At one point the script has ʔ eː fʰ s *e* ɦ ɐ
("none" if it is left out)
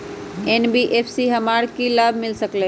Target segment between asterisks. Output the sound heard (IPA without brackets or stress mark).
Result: i